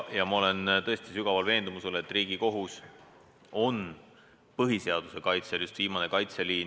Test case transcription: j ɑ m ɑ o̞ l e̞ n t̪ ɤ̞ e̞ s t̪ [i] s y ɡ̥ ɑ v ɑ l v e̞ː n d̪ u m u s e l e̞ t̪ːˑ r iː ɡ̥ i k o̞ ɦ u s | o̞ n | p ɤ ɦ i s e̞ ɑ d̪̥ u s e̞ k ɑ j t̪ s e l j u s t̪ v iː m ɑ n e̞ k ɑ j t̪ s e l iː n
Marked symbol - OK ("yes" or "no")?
yes